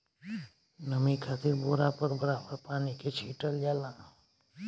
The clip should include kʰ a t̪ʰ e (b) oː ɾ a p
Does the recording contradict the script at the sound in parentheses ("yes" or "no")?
no